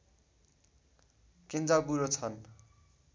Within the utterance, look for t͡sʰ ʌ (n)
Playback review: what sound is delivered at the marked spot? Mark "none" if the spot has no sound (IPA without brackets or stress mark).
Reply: n